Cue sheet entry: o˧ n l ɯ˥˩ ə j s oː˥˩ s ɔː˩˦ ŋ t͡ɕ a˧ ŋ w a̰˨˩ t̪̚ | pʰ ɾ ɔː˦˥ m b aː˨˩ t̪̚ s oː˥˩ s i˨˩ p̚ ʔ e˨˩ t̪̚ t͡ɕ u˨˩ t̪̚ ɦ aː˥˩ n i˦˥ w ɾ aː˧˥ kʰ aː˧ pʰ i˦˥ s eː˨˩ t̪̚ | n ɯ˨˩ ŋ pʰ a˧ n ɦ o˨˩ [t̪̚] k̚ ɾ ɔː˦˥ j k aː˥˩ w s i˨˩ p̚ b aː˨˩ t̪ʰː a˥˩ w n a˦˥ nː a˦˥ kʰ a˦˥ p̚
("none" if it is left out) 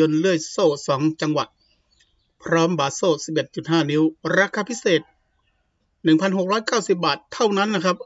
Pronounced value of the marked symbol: none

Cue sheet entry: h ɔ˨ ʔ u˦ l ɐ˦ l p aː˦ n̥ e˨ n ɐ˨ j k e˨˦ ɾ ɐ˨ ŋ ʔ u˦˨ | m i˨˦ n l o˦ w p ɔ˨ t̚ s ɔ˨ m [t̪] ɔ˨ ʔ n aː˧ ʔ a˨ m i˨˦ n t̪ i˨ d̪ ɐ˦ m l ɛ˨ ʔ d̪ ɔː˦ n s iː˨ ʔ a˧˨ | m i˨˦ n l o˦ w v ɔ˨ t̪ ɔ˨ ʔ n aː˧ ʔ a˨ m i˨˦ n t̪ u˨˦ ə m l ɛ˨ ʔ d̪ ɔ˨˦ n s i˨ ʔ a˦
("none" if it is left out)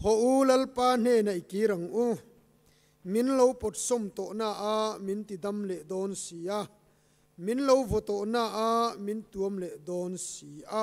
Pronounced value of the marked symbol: t̪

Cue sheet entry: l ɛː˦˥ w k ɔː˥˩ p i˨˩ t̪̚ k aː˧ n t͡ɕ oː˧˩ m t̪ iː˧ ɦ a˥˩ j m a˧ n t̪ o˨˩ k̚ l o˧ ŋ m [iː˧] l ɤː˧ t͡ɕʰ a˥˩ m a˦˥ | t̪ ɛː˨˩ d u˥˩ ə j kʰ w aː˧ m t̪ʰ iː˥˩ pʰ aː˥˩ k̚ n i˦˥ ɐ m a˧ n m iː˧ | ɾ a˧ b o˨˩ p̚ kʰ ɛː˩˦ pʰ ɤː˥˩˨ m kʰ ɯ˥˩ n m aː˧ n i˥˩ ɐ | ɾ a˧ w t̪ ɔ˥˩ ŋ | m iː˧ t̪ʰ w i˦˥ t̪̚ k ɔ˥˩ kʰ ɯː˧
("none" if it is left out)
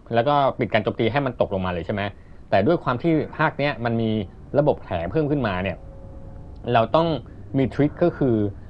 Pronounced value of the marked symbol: aː˧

